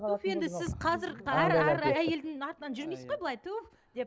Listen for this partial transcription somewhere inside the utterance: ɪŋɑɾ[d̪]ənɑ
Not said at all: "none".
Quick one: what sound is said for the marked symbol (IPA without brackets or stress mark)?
t̪